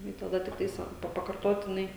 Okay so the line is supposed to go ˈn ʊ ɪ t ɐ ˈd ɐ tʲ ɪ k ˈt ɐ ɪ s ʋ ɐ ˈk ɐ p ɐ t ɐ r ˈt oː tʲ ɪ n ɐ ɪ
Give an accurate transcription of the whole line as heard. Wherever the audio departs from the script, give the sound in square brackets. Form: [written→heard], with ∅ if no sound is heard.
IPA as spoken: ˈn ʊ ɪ t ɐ ˈd ɐ tʲ ɪ k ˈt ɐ ɪ s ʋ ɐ [ˈk→ˈp] ɐ p ɐ [t→k] ɐ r ˈt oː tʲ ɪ n ɐ ɪ